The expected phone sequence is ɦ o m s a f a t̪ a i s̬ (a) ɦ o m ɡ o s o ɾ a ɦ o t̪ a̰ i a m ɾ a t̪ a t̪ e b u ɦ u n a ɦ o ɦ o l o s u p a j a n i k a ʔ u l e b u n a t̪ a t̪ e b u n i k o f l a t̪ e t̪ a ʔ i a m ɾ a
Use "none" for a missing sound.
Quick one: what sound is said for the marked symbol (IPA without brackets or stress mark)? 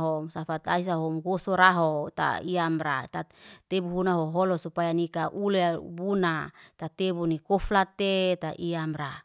a